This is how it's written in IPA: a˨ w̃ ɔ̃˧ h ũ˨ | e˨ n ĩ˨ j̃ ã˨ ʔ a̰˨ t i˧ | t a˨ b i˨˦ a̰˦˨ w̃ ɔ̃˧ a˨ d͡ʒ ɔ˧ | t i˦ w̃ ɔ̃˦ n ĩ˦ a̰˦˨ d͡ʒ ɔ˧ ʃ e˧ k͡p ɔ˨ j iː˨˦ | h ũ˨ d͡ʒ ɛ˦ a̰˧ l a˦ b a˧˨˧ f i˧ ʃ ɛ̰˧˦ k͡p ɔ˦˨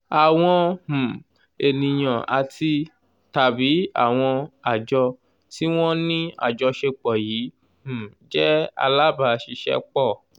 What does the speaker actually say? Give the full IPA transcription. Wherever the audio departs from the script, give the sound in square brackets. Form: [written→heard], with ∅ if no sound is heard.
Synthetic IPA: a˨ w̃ ɔ̃˧ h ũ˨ | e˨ n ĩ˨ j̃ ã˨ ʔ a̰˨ t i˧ | t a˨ b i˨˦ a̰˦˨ w̃ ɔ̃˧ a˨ d͡ʒ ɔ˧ | t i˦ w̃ ɔ̃˦ n ĩ˦ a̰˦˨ d͡ʒ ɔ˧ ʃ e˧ k͡p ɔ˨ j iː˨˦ | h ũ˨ d͡ʒ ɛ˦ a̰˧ l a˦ b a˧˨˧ [f→ʃ] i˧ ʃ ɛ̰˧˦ k͡p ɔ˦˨